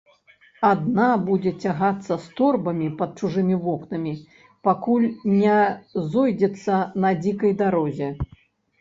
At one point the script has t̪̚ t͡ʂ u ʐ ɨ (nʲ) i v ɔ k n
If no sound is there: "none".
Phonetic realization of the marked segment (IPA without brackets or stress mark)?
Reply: mʲ